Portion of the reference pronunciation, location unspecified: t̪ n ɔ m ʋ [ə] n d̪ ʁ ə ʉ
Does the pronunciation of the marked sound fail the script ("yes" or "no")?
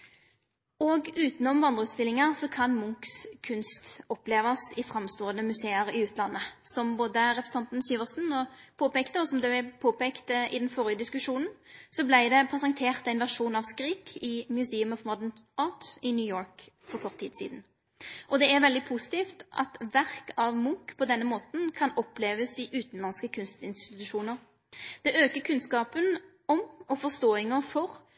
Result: yes